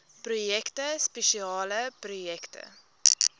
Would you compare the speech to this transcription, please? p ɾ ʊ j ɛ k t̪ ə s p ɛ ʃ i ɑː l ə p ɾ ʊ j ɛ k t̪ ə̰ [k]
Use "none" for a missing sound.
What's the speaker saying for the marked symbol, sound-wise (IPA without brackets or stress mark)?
none